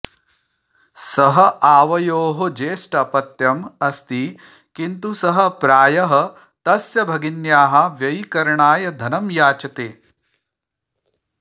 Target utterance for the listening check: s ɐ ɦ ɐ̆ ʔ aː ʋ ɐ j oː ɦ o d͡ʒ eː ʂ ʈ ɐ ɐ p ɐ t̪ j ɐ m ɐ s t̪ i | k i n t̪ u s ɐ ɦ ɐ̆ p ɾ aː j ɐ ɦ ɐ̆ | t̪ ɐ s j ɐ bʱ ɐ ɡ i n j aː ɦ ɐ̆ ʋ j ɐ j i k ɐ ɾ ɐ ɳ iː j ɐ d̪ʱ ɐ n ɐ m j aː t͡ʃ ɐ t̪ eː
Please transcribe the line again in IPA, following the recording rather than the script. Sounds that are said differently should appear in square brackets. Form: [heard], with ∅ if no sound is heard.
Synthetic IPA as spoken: s ɐ ɦ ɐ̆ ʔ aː ʋ ɐ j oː ɦ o d͡ʒ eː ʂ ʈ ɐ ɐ p ɐ t̪ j ɐ m ɐ s t̪ i | k i n t̪ u s ɐ ɦ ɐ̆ p ɾ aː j ɐ ɦ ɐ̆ | t̪ ɐ s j ɐ bʱ ɐ ɡ i n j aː ɦ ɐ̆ ʋ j ɐ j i k ɐ ɾ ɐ ɳ [aː] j ɐ d̪ʱ ɐ n ɐ m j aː t͡ʃ ɐ t̪ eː

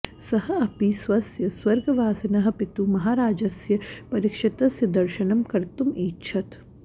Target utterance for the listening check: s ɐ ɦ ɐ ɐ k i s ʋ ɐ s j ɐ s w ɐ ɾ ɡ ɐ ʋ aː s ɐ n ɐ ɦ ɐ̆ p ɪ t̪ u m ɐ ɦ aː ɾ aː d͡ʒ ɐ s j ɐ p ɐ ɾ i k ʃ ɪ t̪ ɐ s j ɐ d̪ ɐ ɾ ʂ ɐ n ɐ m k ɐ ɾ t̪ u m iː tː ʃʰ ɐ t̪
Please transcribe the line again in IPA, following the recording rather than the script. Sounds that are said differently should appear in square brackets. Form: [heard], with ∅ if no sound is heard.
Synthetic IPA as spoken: s ɐ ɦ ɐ ɐ [p] i s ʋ ɐ s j ɐ s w ɐ ɾ ɡ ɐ ʋ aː s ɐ n ɐ ɦ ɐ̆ p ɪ t̪ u m ɐ ɦ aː ɾ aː d͡ʒ ɐ s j ɐ p ɐ ɾ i k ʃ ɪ t̪ ɐ s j ɐ d̪ ɐ ɾ [ʃ] ɐ n ɐ m k ɐ ɾ t̪ u m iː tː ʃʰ ɐ t̪

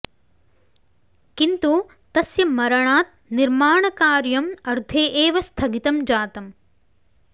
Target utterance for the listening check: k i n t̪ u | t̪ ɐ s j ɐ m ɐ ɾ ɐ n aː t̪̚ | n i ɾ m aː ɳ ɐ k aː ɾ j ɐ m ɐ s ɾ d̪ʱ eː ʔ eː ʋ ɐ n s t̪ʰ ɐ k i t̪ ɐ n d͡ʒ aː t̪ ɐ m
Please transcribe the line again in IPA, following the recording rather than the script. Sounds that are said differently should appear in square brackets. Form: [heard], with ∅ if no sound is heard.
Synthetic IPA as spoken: k i n t̪ u | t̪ ɐ s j ɐ m ɐ ɾ ɐ [ɳ] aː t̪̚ | n i ɾ m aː ɳ ɐ k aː ɾ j ɐ m ɐ [∅] ɾ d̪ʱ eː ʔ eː ʋ ɐ [∅] s t̪ʰ ɐ [ɡ] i t̪ ɐ [m] d͡ʒ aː t̪ ɐ m

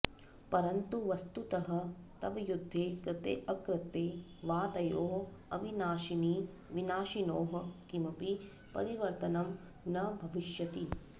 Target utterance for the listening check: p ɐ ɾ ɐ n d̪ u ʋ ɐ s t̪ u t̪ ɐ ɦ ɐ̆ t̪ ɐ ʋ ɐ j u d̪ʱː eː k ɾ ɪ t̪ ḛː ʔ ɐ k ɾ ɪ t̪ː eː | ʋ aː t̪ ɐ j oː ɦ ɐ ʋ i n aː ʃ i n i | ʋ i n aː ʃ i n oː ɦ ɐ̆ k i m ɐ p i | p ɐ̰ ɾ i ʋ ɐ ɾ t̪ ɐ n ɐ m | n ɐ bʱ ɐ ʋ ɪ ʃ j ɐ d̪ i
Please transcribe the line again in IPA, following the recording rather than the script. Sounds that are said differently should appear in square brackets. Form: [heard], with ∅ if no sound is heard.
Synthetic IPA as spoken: p ɐ ɾ ɐ n [t̪] u ʋ ɐ s t̪ u t̪ ɐ ɦ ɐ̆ t̪ ɐ ʋ ɐ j u d̪ʱː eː k ɾ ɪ t̪ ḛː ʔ ɐ k ɾ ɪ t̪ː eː | ʋ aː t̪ ɐ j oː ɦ ɐ ʋ i n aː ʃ i n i | ʋ i n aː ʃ i n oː ɦ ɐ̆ k i m ɐ p i | p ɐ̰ ɾ i ʋ ɐ ɾ t̪ ɐ n ɐ m | n ɐ bʱ ɐ ʋ [i] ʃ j ɐ [t̪] i

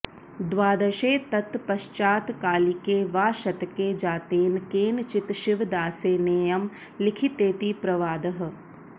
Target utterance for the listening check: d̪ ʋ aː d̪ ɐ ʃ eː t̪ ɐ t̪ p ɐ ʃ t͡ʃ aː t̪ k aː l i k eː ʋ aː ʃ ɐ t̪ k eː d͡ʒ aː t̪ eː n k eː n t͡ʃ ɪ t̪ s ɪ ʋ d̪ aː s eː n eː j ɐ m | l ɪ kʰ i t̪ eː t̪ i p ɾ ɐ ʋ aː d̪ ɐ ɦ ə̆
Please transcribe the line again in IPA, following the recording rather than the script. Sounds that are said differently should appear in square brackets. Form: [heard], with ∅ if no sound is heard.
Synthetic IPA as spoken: d̪ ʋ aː d̪ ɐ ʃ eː t̪ ɐ t̪ p ɐ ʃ t͡ʃ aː t̪ k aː l i k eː ʋ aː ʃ ɐ t̪ k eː d͡ʒ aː t̪ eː n k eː n t͡ʃ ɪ t̪ [ʃ] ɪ ʋ d̪ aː s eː n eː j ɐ m | l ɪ kʰ i t̪ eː t̪ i p ɾ ɐ ʋ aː d̪ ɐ ɦ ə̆

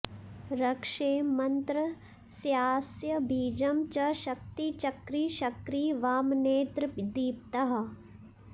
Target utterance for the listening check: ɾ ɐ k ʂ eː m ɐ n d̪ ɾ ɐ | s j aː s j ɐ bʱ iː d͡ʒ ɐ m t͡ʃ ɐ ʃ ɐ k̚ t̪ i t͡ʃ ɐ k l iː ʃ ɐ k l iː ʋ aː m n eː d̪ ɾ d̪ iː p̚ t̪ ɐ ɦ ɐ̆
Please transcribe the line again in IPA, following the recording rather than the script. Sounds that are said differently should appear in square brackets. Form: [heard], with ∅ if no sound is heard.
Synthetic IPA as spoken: ɾ ɐ k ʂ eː m ɐ n [t̪] ɾ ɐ | s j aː s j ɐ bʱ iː d͡ʒ ɐ m t͡ʃ ɐ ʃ ɐ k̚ t̪ i t͡ʃ ɐ k [ɾ] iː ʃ ɐ k [ɾ] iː ʋ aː m n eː [t̪] ɾ d̪ iː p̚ t̪ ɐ ɦ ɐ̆

